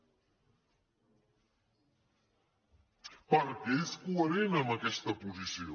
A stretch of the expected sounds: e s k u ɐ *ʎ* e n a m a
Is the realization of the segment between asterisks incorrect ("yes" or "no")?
yes